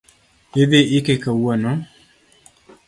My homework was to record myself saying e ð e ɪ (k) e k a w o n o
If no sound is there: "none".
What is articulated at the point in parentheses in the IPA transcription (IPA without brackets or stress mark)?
k